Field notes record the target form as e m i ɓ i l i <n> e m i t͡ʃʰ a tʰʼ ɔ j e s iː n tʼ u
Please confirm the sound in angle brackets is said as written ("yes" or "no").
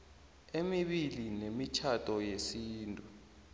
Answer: yes